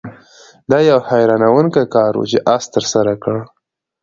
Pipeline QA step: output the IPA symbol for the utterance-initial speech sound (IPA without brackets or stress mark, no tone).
d̪